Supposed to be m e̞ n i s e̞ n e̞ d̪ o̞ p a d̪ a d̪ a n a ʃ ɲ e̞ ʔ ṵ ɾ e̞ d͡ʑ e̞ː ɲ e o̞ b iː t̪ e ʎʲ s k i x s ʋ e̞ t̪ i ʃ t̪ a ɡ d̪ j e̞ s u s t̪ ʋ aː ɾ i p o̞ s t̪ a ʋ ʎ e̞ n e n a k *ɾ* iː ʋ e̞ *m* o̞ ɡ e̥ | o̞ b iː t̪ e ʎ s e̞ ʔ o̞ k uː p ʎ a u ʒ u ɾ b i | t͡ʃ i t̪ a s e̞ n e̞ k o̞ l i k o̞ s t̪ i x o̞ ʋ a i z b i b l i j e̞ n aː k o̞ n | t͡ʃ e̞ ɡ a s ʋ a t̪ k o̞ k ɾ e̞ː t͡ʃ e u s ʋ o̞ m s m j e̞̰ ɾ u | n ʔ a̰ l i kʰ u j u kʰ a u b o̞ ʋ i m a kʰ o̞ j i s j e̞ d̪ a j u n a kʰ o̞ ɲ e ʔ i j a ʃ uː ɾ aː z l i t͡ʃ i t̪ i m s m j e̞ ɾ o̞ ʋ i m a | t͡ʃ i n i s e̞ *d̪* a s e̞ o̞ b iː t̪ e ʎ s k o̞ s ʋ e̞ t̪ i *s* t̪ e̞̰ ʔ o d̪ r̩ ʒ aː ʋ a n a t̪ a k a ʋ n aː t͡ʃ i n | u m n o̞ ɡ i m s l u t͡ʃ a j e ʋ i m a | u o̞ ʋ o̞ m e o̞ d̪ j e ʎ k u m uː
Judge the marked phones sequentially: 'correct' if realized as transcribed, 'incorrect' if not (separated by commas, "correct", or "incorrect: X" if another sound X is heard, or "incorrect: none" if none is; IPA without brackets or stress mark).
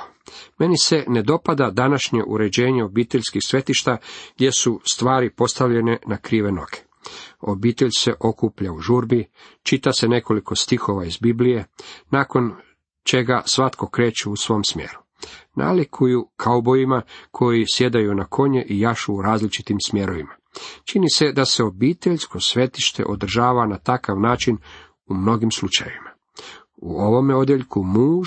correct, incorrect: n, correct, incorrect: ʃ